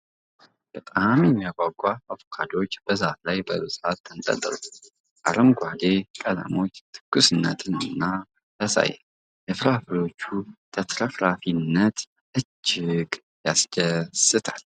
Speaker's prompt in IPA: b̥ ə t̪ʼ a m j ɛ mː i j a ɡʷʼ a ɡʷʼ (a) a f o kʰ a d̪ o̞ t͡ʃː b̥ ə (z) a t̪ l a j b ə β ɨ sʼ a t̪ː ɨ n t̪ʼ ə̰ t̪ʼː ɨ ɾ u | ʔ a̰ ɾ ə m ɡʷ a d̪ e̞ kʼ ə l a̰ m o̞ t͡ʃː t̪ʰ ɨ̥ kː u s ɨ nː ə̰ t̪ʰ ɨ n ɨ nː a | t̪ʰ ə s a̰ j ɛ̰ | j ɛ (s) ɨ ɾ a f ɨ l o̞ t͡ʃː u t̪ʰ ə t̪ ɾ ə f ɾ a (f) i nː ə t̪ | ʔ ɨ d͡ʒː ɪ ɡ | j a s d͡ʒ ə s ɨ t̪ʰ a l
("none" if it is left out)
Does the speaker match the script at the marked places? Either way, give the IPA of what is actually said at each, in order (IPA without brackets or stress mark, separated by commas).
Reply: a, z, f, f